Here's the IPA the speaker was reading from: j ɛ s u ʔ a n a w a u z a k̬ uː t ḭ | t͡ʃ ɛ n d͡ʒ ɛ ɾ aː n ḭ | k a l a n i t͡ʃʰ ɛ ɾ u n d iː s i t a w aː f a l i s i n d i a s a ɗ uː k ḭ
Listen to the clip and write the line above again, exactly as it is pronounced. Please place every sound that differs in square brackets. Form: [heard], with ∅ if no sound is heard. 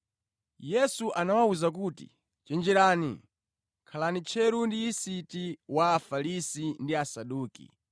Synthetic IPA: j ɛ s u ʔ a n a w a u z a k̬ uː t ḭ | t͡ʃ ɛ n d͡ʒ ɛ ɾ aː n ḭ | [kʰ] a l a n i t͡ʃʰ ɛ ɾ u n d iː s i t [i] w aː f a l i s i n d i a s a ɗ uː k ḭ

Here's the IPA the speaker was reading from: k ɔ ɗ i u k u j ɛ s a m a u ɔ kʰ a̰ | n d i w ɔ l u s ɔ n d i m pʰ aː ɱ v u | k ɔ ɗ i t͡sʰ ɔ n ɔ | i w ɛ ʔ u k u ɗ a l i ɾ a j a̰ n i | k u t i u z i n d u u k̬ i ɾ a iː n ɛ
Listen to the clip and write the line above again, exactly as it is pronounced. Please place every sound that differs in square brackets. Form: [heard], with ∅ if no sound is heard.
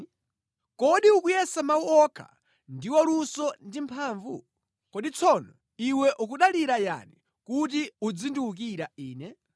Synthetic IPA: k ɔ ɗ i u k u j ɛ s a m a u ɔ kʰ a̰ | n d i w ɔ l u s ɔ n d i m pʰ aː ɱ v u | k ɔ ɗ i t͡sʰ ɔ n ɔ | i w ɛ ʔ u k u ɗ a l i ɾ a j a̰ n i | k u t i u [d͡z] i n d u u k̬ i ɾ a iː n ɛ

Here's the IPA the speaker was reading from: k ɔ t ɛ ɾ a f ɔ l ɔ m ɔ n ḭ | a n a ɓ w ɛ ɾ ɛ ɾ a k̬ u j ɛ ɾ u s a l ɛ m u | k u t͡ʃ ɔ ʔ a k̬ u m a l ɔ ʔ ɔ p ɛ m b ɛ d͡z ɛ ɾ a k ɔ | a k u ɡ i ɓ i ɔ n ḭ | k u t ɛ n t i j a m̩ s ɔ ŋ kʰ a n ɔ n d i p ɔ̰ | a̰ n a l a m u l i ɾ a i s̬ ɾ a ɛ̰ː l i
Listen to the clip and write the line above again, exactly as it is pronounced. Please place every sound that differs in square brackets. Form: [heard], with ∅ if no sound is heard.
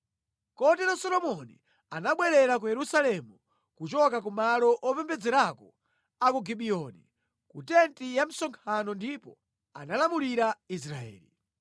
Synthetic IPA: k ɔ t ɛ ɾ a [s] ɔ l ɔ m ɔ n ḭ | a n a ɓ w ɛ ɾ ɛ ɾ a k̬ u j ɛ ɾ u s a l ɛ m u | k u t͡ʃ ɔ [k] a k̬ u m a l ɔ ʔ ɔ p ɛ m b ɛ d͡z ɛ ɾ a k ɔ | a k u ɡ i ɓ i ɔ n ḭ | k u t ɛ n t i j a m̩ s ɔ ŋ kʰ a n ɔ n d i p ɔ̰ | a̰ n a l a m u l i ɾ a i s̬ ɾ a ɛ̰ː l i

